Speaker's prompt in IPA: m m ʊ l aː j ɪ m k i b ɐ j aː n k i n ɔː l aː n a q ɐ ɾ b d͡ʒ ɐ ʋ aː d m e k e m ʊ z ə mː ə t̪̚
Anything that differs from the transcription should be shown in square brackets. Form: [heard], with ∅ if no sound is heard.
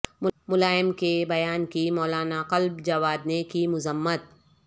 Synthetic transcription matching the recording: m m ʊ l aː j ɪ m k [e] b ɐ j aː n k i [m] ɔː l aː n a q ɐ [l] b d͡ʒ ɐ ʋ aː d [n] e k [i] m ʊ z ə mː ə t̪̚